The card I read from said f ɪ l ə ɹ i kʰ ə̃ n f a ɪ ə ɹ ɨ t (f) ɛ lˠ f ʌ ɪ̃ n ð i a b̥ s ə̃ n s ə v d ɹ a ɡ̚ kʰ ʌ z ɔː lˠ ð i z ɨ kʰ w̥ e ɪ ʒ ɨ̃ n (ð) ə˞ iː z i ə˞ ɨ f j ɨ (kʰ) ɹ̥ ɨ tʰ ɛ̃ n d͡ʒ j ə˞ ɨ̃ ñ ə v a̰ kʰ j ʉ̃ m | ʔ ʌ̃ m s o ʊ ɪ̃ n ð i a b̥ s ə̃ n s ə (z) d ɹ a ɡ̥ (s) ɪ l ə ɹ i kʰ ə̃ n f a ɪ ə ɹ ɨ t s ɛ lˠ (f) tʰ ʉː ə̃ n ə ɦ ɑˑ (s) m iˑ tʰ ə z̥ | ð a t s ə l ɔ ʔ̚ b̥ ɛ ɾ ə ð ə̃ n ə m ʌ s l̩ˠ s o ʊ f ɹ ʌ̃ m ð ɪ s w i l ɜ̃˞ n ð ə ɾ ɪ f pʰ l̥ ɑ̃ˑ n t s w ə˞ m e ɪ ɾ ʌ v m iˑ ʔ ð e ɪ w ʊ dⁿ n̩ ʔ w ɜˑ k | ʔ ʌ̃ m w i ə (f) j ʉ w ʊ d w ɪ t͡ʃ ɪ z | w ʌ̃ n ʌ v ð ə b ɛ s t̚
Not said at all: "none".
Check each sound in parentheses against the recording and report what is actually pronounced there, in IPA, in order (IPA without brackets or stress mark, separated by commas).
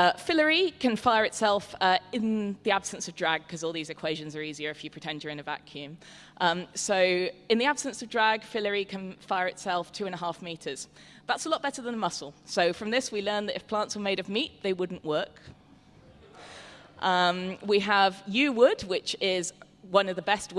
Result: s, z, pʰ, v, f, f, f, v